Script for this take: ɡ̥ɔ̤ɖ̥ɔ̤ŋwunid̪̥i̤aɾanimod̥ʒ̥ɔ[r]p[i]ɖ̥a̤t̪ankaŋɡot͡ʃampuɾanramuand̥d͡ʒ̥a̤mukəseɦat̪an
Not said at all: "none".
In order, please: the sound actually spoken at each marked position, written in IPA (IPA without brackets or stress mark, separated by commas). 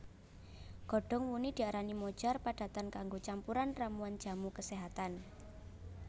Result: r, a